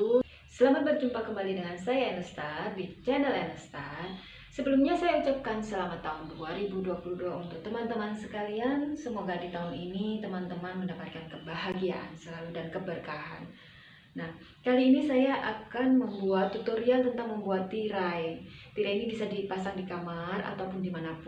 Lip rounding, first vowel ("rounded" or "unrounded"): unrounded